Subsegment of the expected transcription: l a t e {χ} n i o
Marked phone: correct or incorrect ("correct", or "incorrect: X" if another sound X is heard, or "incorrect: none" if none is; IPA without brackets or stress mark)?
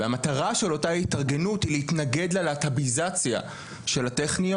correct